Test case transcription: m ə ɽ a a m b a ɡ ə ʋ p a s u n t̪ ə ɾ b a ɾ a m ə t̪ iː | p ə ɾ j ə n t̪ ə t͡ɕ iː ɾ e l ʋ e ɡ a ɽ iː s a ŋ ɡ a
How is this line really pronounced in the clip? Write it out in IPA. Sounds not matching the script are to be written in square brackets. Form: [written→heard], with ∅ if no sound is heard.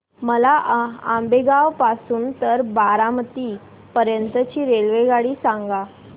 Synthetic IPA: m ə [ɽ→l] a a m b [a→e] ɡ [ə→a] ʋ p a s [u→uː] n t̪ ə ɾ b a ɾ a m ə t̪ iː | p ə ɾ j ə n t̪ ə t͡ɕ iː ɾ e l ʋ e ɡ a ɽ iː s a ŋ ɡ a